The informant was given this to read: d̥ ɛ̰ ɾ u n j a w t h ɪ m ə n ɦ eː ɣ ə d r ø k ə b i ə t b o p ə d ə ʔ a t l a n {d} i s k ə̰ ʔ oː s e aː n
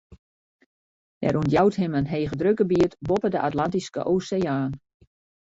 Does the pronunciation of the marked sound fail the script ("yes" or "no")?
yes